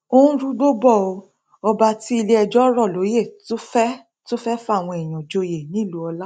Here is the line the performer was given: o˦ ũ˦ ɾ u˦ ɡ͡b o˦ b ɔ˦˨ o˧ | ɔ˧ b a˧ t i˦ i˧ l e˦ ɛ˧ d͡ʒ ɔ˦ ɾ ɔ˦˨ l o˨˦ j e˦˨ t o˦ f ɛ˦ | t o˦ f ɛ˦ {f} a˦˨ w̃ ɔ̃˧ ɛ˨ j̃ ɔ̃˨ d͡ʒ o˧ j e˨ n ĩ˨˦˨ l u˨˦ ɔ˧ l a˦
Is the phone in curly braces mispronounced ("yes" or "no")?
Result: no